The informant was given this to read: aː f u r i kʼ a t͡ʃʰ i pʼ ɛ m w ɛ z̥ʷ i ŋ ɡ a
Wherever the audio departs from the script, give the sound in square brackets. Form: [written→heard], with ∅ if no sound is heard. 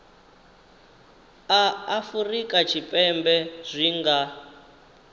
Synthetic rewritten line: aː f u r i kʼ a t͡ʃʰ i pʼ ɛ m [w→b] ɛ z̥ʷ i ŋ ɡ a